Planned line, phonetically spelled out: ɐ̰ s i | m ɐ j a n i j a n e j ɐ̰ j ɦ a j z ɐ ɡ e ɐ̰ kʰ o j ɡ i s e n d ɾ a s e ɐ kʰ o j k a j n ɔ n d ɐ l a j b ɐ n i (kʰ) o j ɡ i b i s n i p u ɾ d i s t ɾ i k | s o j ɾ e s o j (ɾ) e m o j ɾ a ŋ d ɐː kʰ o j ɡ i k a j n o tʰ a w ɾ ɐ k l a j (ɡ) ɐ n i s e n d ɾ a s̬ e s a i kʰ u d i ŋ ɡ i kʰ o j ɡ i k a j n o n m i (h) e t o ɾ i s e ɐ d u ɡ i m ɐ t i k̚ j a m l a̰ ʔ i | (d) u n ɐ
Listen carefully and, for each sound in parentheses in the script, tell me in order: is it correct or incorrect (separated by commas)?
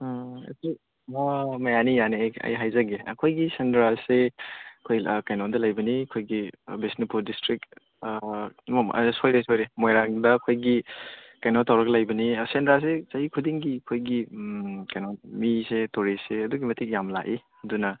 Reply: correct, correct, incorrect, incorrect, correct